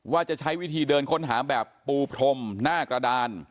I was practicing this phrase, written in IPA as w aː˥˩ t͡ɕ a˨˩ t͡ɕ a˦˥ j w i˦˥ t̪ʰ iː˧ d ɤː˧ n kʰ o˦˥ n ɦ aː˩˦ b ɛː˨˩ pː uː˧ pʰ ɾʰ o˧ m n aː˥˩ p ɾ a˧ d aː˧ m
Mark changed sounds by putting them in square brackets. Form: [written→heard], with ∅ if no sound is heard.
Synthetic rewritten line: w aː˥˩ t͡ɕ a˨˩ [t͡ɕ→t͡ɕʰ] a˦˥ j w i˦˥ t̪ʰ iː˧ d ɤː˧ n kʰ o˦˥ n ɦ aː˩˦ b ɛː˨˩ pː uː˧ pʰ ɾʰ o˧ m n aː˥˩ [p→k] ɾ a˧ d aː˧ [m→n]